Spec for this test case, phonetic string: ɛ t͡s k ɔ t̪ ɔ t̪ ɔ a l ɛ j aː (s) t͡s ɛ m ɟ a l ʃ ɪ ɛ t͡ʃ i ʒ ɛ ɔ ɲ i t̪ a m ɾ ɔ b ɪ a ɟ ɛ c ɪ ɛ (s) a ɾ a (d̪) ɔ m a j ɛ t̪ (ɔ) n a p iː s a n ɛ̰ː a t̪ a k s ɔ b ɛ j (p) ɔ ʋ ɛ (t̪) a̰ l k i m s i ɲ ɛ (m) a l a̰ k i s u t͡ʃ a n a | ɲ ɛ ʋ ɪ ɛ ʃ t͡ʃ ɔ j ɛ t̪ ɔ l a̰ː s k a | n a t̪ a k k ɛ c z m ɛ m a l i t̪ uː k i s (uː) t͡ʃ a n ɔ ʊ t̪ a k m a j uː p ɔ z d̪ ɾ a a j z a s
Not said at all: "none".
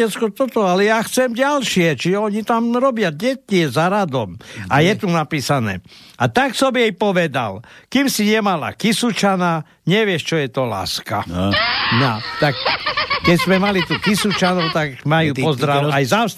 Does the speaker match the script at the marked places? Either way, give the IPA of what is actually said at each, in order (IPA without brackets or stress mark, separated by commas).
x, z, d̪, u, p, d̪, m, u